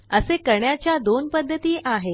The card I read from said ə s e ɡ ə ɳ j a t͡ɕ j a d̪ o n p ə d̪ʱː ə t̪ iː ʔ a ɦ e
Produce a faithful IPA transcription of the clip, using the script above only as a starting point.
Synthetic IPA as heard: ə s e k ə ɳ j a t͡ɕ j a d̪ o n p ə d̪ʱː ə t̪ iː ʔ a ɦ e